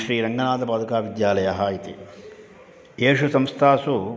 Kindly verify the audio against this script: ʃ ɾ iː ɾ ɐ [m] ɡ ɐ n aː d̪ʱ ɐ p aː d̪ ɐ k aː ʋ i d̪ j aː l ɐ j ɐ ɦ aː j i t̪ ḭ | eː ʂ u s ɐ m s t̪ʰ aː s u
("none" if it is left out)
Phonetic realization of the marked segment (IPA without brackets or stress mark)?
ŋ